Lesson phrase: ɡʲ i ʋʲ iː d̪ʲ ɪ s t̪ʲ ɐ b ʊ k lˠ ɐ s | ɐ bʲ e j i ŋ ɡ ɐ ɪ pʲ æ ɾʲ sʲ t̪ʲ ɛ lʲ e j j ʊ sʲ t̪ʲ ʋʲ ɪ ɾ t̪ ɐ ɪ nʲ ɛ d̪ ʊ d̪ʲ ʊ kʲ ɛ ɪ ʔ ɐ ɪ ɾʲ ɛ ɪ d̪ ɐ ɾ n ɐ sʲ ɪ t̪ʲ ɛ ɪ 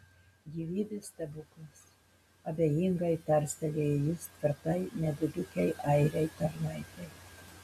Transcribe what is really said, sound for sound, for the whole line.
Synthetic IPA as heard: ɡʲ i ʋʲ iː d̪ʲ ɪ s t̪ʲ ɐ b ʊ k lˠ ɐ s | ɐ bʲ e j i ŋ ɡ ɐ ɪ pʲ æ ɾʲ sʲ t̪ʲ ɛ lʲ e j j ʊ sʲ t̪ʲ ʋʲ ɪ ɾ t̪ ɐ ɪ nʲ ɛ d̪ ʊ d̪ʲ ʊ kʲ ɛ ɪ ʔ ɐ ɪ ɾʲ ɛ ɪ t̪ ɐ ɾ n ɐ ɪ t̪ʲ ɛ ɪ

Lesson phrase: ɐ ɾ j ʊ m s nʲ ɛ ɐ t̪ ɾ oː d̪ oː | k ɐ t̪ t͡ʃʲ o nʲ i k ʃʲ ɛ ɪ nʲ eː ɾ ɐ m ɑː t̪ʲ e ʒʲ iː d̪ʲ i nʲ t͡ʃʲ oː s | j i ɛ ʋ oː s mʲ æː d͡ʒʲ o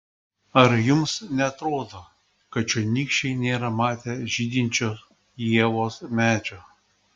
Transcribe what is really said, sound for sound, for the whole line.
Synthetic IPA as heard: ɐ ɾ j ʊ m s nʲ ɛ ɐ t̪ ɾ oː d̪ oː | k ɐ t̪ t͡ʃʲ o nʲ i k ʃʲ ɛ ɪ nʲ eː ɾ ɐ m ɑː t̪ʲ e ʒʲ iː d̪ʲ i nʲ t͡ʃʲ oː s | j i ɛ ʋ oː s mʲ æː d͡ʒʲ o

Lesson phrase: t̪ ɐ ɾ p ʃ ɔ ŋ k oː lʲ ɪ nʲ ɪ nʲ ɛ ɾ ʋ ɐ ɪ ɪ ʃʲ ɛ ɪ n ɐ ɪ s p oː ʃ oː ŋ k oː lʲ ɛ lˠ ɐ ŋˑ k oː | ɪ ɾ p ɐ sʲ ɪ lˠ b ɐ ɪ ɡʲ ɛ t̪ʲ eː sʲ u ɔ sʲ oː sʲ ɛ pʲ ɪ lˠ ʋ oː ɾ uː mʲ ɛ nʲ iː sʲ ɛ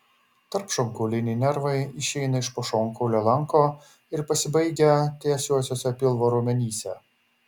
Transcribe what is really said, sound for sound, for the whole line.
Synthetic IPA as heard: t̪ ɐ ɾ p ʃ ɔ ŋ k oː lʲ ɪ nʲ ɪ nʲ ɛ ɾ ʋ ɐ ɪ ɪ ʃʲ ɛ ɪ n ɐ ɪ ʃ p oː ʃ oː ŋ k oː lʲ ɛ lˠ ɐ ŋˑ k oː | ɪ ɾ p ɐ sʲ ɪ b ɐ ɪ ɡʲ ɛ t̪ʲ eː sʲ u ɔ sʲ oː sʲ ɛ pʲ ɪ lˠ ʋ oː ɾ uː mʲ ɛ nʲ iː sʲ ɛ

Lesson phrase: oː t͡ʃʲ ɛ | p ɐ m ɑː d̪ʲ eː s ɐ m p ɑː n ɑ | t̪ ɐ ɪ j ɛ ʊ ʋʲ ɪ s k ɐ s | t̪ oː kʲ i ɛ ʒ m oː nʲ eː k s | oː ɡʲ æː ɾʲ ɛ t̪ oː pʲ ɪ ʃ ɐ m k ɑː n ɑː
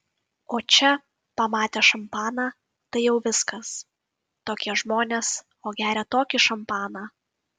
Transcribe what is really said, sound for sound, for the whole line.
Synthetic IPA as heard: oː t͡ʃʲ ɛ | p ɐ m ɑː t̪ʲ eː ʃ ɐ m p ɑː n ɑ | t̪ ɐ ɪ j ɛ ʊ ʋʲ ɪ s k ɐ s | t̪ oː kʲ i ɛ ʒ m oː nʲ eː s | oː ɡʲ æː ɾʲ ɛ t̪ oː kʲ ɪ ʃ ɐ m p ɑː n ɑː

